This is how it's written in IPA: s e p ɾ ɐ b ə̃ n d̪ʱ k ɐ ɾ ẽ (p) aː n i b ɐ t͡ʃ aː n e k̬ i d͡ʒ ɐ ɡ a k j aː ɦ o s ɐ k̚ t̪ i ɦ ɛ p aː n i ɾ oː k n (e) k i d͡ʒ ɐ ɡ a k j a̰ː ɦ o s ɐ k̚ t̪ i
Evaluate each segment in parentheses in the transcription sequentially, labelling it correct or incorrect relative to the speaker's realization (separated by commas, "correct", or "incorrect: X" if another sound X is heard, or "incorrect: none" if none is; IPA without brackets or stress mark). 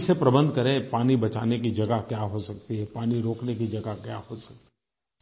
correct, correct